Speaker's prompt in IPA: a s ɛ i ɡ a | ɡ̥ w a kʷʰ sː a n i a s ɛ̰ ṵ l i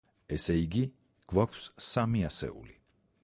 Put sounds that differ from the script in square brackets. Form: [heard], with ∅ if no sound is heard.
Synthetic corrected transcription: [ɛ] s ɛ i ɡ [i] | ɡ̥ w a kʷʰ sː a [m] i a s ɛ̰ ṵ l i